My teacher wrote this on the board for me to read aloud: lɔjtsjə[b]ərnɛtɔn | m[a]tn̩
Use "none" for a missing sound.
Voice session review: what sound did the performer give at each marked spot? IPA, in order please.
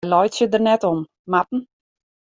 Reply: d, a

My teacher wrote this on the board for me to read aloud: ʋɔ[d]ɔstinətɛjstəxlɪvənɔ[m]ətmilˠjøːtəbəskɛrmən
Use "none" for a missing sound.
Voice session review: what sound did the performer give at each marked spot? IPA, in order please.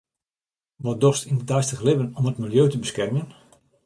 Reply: d, m

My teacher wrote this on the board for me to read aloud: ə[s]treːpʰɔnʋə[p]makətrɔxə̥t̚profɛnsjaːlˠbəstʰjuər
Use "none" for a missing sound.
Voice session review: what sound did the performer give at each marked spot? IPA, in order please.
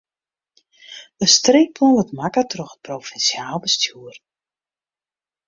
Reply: s, t

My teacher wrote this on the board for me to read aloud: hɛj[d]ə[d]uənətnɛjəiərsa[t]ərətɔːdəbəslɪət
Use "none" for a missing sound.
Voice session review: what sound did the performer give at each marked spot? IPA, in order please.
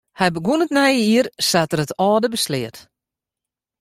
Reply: b, ɡ, t

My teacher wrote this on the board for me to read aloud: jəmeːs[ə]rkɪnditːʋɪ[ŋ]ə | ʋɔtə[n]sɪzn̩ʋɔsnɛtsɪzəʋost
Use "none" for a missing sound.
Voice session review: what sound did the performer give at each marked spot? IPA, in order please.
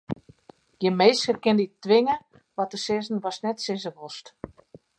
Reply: ə, ŋ, none

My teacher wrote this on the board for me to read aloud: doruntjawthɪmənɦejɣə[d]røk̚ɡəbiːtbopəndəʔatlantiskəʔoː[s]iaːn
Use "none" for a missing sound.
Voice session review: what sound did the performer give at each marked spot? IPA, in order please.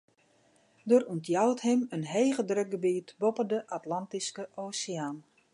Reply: d, s

